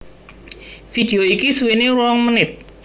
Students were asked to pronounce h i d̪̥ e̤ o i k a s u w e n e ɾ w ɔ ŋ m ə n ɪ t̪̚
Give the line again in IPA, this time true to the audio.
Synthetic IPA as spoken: f i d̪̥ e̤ o i k i s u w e n e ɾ w ɔ ŋ m ə n ɪ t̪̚